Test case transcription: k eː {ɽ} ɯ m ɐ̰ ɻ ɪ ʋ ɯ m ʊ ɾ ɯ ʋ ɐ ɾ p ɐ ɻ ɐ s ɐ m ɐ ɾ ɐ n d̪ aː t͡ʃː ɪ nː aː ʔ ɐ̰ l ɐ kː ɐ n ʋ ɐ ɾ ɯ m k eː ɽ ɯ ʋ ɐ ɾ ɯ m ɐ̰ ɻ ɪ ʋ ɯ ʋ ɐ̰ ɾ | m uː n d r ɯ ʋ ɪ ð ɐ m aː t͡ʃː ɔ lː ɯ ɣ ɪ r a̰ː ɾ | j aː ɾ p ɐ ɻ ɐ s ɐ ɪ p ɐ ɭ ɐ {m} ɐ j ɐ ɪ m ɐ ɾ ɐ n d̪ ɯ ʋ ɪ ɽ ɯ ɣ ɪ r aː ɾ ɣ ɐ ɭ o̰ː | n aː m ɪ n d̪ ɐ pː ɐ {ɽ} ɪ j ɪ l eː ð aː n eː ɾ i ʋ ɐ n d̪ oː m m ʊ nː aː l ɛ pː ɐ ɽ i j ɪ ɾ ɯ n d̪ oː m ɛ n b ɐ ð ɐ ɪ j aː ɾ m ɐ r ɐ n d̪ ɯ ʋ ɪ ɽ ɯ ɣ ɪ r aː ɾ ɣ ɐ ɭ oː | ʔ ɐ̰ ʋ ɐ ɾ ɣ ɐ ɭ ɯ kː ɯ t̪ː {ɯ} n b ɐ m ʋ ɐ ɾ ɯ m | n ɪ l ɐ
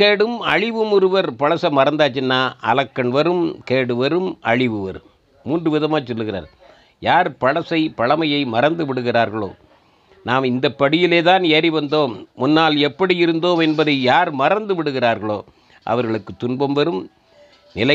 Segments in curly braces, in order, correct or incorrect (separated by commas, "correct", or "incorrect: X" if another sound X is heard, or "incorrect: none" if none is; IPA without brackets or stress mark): correct, correct, correct, incorrect: ʊ